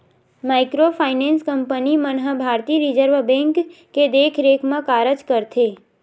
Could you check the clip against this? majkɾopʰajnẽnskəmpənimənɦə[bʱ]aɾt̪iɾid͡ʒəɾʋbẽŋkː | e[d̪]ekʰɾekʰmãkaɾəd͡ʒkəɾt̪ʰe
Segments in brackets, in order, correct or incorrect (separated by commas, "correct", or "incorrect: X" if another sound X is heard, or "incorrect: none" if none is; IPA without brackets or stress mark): correct, correct